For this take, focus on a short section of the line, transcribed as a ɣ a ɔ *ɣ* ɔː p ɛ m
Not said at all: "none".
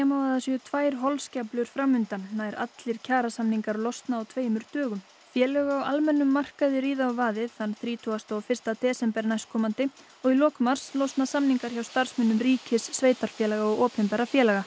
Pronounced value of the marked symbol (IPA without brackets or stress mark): ɣ